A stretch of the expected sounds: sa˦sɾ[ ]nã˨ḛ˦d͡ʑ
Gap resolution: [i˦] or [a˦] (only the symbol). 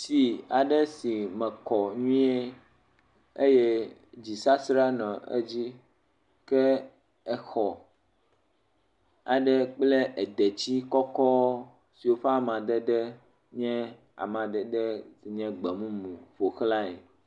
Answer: a˦